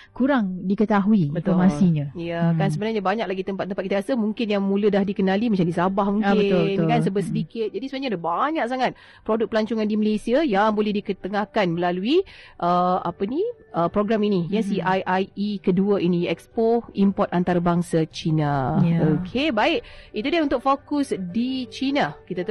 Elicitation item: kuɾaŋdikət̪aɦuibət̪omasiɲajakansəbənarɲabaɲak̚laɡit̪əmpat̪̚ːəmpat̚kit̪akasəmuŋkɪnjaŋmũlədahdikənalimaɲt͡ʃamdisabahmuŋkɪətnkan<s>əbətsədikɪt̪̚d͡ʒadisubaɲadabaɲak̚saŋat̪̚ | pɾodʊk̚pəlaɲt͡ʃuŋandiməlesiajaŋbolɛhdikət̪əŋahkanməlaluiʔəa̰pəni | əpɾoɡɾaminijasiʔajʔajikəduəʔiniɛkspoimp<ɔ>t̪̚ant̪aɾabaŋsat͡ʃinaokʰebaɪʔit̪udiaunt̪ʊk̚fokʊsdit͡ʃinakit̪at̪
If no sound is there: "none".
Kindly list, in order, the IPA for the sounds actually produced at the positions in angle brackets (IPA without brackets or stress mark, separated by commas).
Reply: s, ɔ